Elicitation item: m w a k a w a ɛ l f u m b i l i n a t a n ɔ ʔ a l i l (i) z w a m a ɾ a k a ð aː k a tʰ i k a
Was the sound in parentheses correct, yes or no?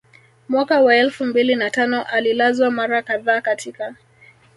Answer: no